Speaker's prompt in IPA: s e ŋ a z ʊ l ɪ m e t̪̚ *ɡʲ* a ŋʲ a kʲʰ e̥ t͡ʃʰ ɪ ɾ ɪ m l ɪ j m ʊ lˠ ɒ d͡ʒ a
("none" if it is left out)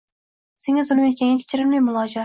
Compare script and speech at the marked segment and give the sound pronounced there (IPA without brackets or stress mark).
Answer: kʲ